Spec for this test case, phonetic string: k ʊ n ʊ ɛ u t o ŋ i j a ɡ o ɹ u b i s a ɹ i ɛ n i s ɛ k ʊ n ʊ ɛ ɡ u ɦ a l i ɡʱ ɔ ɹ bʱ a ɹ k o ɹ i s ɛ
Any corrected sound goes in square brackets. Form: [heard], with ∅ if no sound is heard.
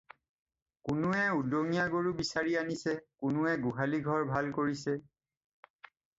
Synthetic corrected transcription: k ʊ n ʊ ɛ u [d] o ŋ i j a ɡ o ɹ u b i s a ɹ i [a] n i s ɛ k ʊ n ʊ ɛ ɡ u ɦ a l i ɡʱ ɔ ɹ bʱ a [l] k o ɹ i s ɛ